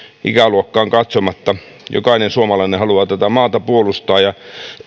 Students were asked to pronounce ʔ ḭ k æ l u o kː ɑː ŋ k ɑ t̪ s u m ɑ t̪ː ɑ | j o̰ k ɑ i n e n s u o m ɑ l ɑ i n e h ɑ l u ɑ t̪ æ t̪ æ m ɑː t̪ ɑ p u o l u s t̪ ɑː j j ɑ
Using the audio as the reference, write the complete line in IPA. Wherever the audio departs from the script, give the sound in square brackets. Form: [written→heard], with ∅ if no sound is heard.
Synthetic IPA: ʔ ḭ k æ l u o kː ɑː ŋ k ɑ t̪ s [u→o] m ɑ t̪ː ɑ | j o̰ k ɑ i n e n s u o m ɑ l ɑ i n e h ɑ l u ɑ t̪ æ t̪ æ m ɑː t̪ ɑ p u o l u s t̪ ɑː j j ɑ